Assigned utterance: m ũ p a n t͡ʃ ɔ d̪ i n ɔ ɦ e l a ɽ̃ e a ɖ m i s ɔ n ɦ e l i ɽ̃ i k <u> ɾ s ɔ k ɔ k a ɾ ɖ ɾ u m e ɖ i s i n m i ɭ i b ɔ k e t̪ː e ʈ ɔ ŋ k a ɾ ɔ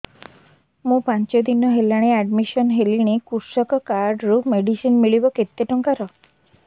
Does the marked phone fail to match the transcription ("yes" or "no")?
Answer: no